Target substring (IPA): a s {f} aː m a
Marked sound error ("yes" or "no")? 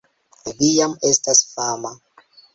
no